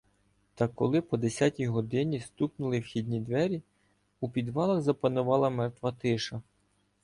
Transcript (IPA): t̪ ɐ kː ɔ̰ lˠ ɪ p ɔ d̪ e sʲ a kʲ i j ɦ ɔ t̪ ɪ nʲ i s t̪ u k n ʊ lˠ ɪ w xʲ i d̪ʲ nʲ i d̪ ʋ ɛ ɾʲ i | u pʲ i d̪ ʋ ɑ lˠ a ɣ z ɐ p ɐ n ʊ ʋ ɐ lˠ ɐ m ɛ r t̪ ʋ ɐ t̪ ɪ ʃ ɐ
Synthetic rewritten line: t̪ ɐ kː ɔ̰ lˠ ɪ p ɔ d̪ e sʲ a tʲ i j ɦ ɔ d̪ ɪ nʲ i s t̪ u k n ʊ lˠ ɪ w xʲ i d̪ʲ nʲ i d̪ ʋ ɛ ɾʲ i | u pʲ i d̪ ʋ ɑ lˠ ɐ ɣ z ɐ p ɐ n ʊ ʋ ɑ lˠ ɐ m ɛ r t̪ ʋ ɐ t̪ ɪ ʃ ɐ